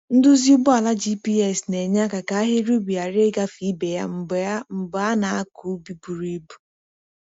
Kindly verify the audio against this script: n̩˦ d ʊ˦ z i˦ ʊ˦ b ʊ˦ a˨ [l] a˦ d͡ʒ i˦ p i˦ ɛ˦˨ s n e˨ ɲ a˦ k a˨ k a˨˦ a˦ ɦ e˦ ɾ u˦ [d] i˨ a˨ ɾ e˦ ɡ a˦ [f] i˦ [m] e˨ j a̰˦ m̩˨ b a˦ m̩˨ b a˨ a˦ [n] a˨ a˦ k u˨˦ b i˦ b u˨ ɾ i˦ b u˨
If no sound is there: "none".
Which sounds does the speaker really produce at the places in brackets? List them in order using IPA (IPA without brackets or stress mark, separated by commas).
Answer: l, b, f, b, n